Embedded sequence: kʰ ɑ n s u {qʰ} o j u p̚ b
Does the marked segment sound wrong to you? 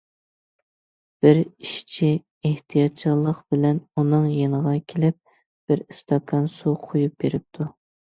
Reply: no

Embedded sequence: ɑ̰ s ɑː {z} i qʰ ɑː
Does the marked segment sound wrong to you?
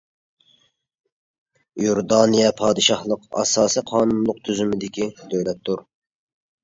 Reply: yes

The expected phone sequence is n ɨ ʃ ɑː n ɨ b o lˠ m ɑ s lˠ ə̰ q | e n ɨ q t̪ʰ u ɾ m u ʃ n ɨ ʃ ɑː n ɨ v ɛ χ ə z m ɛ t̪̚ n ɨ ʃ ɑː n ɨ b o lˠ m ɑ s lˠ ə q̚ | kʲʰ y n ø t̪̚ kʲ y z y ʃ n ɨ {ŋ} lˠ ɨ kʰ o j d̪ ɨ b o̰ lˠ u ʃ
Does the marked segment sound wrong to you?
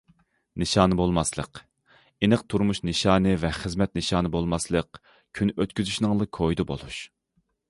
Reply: no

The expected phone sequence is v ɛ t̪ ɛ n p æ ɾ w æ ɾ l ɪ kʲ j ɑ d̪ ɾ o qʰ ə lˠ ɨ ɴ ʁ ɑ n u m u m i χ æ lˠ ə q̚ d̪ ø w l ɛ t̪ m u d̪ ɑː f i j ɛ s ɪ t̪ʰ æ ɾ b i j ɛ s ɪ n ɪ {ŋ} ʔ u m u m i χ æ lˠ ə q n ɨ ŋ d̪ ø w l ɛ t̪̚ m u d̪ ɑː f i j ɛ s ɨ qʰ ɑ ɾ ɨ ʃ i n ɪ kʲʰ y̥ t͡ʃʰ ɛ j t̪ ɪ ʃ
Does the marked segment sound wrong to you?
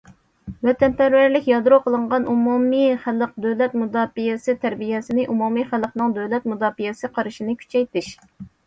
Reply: yes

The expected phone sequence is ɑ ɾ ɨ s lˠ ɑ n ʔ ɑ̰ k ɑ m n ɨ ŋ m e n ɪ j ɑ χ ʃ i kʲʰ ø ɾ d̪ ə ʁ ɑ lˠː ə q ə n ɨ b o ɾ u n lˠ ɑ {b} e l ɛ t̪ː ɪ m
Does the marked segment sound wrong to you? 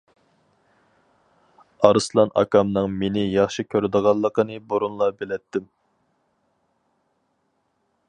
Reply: no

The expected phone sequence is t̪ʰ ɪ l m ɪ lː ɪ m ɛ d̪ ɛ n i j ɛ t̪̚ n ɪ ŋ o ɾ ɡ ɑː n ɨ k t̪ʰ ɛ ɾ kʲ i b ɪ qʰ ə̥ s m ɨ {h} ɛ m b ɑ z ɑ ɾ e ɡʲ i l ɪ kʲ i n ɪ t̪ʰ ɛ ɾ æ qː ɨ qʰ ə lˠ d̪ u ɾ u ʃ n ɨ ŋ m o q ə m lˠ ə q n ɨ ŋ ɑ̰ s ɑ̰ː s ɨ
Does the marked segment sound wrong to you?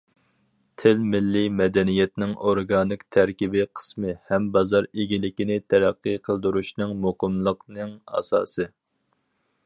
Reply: no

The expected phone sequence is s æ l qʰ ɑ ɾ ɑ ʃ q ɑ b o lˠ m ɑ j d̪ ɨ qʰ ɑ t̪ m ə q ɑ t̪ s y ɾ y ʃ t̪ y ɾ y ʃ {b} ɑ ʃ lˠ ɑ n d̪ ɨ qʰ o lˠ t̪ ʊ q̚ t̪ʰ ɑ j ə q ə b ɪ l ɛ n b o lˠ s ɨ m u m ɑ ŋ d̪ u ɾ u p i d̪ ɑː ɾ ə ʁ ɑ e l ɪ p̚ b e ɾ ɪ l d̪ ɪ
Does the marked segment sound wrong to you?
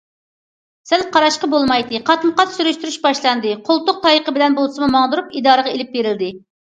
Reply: no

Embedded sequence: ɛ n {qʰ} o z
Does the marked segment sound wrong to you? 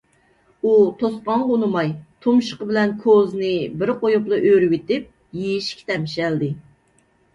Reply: yes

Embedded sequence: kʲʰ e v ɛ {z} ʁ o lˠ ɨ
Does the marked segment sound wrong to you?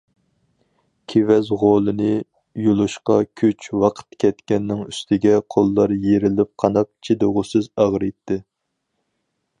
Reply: no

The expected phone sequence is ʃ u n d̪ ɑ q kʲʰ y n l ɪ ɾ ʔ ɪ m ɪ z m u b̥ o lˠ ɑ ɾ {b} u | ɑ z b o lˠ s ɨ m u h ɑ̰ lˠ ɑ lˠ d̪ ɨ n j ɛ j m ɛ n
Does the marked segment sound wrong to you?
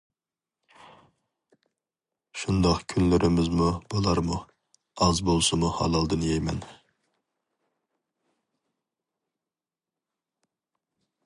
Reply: yes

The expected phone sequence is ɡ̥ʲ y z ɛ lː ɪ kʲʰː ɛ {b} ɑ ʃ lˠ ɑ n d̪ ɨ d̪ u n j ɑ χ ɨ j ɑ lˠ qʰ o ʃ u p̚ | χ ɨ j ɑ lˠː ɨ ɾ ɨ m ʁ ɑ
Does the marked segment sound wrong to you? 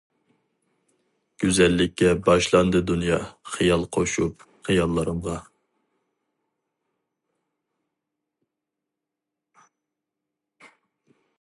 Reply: no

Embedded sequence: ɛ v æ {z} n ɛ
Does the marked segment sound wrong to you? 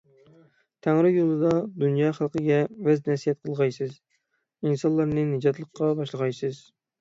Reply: no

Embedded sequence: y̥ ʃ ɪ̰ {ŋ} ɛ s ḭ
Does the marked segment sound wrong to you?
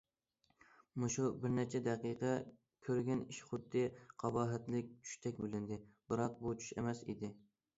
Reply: yes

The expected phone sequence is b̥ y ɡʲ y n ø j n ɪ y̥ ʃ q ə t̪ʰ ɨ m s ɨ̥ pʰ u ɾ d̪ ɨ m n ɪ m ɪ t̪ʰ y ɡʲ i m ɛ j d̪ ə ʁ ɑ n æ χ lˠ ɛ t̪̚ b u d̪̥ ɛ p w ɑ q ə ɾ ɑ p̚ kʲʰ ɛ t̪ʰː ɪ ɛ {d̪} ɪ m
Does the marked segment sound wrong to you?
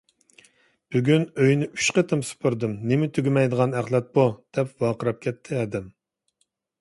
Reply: no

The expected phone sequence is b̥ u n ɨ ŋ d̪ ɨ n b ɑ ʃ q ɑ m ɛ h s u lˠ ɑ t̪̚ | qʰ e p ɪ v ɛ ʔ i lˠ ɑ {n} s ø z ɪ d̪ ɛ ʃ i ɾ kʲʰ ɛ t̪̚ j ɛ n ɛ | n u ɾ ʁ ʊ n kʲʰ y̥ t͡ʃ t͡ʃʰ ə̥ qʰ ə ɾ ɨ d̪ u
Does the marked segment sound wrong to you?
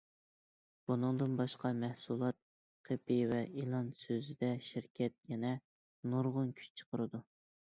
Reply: no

